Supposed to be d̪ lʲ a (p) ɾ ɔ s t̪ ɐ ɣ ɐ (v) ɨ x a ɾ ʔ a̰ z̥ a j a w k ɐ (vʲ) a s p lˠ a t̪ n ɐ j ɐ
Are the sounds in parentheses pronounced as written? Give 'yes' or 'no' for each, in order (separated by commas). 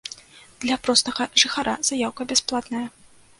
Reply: yes, no, no